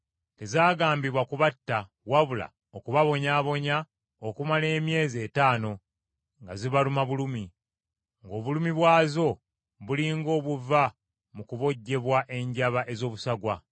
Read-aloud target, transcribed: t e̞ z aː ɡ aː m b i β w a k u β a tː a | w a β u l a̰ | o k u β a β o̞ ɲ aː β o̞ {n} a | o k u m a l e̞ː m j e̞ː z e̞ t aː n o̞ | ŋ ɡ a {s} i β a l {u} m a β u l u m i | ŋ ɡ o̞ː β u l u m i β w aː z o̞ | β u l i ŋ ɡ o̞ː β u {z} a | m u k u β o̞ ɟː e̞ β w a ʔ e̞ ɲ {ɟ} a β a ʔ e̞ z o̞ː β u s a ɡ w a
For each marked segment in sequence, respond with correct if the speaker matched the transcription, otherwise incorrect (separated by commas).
incorrect, incorrect, correct, incorrect, correct